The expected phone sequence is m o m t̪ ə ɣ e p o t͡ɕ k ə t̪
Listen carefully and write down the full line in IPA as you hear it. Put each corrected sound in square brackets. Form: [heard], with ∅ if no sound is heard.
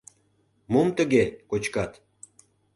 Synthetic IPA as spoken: m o m t̪ ə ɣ e [k] o t͡ɕ k [ɑ] t̪